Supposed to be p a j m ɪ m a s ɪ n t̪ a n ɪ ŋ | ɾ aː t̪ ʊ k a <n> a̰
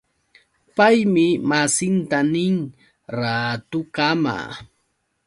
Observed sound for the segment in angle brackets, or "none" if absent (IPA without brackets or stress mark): m